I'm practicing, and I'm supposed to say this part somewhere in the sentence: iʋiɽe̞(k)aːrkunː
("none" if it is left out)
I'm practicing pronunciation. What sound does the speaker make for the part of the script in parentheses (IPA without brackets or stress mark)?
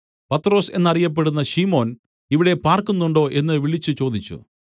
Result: p